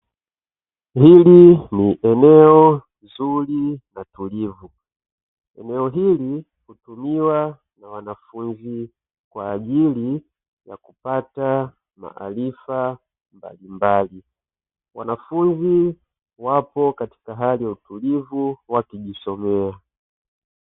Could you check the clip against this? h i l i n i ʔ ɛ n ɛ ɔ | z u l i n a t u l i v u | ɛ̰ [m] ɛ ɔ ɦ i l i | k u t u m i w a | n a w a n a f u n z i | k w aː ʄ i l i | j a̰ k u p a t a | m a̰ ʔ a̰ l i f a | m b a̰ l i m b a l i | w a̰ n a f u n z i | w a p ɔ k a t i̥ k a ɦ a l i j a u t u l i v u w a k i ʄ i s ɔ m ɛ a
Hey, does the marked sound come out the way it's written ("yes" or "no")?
no